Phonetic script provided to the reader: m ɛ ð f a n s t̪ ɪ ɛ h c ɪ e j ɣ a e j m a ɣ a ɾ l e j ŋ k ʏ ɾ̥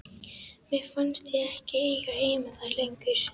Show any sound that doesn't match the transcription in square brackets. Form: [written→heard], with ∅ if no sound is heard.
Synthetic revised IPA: m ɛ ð f a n s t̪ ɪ ɛ h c ɪ e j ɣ a e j m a [ɣ→ð] a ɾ l e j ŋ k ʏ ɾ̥